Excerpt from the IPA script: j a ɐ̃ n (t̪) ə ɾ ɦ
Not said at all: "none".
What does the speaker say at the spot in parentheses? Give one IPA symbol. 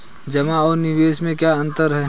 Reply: t̪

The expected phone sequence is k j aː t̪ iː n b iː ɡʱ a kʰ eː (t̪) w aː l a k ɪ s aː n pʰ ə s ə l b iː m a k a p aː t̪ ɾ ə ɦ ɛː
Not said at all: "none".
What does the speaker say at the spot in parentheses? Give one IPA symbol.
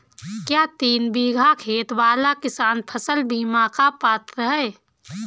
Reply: t̪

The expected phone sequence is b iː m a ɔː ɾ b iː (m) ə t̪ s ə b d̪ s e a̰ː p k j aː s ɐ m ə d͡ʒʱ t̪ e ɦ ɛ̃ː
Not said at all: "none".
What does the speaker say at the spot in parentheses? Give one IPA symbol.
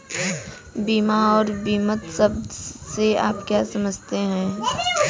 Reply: m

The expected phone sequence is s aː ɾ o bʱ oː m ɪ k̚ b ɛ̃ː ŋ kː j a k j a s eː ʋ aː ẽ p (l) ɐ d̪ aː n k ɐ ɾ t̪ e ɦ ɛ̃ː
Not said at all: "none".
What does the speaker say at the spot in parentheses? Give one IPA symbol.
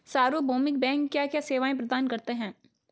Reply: ɾ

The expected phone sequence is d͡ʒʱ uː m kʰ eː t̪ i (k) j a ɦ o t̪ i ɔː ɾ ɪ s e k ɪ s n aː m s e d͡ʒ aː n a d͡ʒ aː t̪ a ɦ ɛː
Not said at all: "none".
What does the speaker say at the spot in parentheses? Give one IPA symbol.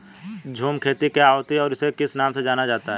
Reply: k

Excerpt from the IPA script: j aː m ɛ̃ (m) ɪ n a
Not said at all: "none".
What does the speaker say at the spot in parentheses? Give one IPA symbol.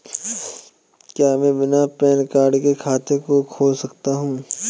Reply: b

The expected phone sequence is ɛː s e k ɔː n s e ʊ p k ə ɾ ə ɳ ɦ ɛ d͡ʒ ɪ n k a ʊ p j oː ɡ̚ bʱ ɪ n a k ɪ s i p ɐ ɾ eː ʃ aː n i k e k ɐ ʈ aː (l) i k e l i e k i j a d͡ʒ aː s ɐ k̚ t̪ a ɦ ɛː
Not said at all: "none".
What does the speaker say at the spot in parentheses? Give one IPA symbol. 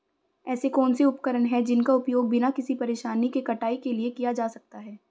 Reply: none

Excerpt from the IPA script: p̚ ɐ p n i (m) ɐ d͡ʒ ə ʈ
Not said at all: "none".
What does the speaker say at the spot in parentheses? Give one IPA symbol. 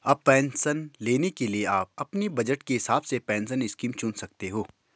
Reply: b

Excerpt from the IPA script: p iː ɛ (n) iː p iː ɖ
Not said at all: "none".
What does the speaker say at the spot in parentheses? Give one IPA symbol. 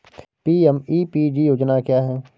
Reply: m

